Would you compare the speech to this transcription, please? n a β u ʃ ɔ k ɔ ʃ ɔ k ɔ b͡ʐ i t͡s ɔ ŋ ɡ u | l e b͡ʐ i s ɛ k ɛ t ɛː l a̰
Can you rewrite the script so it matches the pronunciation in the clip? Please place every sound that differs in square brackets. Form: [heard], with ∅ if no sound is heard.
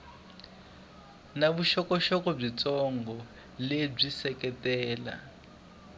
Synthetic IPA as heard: n a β u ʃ ɔ k ɔ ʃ ɔ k ɔ b͡ʐ i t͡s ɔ ŋ ɡ [ɔ] | l e b͡ʐ i s ɛ k ɛ t ɛː l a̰